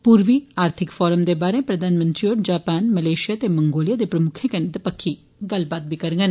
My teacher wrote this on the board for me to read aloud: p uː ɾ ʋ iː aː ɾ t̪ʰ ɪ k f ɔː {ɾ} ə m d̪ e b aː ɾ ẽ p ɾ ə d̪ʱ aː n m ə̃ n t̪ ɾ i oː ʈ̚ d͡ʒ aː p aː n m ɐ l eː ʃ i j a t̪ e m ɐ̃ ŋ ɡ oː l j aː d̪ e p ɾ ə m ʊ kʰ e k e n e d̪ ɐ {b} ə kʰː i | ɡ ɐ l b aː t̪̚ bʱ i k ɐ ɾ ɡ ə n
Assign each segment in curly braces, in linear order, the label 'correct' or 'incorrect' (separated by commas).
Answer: correct, incorrect